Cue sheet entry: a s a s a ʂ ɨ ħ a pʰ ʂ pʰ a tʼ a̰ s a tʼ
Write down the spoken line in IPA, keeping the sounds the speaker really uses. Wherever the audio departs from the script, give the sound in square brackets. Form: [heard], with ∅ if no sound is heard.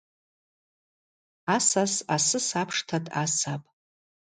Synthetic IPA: a s a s a [s] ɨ [s] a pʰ ʂ [tʰ] a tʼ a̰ s a [pʼ]